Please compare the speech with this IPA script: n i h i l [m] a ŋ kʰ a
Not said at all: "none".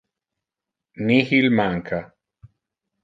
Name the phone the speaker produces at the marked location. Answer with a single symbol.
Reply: m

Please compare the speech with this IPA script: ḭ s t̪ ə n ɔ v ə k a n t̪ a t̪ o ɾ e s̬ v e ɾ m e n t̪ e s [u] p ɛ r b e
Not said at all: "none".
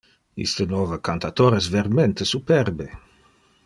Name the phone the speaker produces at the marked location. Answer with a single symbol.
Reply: u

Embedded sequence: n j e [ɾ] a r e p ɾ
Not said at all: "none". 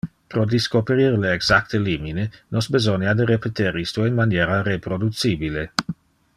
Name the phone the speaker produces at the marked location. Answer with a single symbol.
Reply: ɾ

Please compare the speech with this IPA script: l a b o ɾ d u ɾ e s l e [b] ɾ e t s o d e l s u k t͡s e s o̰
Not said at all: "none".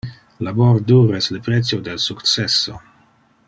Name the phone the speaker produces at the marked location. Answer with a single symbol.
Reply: p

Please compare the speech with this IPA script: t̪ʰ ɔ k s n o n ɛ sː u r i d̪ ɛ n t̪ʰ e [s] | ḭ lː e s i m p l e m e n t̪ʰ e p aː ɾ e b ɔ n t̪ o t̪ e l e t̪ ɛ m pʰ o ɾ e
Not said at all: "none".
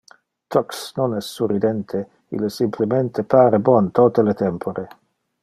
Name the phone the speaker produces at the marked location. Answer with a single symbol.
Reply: none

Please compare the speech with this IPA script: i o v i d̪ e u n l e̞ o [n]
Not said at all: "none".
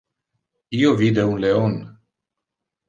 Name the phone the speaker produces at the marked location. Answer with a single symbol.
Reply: n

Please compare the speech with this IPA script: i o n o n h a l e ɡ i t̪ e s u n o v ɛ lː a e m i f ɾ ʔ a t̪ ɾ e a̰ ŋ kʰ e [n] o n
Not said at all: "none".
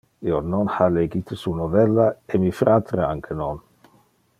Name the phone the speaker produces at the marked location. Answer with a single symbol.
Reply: n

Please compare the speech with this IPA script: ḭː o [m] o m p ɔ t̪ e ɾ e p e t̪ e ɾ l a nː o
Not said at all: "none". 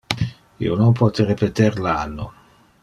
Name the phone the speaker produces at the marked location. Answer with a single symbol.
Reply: n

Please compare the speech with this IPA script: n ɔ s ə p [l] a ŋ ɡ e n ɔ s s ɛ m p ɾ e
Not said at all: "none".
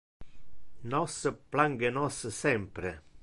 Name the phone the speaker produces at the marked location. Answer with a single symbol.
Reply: l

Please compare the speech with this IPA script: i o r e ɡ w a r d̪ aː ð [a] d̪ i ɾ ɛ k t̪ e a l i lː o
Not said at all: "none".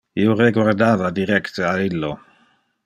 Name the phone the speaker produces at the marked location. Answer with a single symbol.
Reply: a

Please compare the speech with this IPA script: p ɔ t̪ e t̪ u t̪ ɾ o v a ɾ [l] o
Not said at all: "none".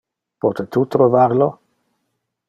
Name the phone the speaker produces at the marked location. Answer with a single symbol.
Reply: l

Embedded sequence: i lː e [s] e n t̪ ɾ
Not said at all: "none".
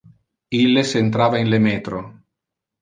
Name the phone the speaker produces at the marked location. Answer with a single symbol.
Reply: s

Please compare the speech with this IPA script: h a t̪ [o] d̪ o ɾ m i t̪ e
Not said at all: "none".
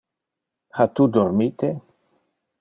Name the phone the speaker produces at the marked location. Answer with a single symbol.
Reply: u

